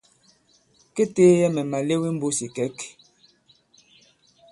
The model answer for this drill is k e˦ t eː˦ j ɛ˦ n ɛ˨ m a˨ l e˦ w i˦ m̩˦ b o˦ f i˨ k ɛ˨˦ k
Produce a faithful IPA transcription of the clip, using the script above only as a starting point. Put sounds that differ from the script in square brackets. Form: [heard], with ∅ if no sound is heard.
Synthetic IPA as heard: k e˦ t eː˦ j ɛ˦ [m] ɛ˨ m a˨ l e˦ w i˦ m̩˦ b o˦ [s] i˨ k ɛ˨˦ k